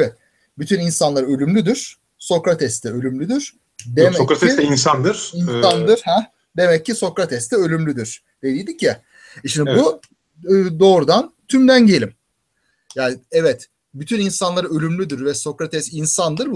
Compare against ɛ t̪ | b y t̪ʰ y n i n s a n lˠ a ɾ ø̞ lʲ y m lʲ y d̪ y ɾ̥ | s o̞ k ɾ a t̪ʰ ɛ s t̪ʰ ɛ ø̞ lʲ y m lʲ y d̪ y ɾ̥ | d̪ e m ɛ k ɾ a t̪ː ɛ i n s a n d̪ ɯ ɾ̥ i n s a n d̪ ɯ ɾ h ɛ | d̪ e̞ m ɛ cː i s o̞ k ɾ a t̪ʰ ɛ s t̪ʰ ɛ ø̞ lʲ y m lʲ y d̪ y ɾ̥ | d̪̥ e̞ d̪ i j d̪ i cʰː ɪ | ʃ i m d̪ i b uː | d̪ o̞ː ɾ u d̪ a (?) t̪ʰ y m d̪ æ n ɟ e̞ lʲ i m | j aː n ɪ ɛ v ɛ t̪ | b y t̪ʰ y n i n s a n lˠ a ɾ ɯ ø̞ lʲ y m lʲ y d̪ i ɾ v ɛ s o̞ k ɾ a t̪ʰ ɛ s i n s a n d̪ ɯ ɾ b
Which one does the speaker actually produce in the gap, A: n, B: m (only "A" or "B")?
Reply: A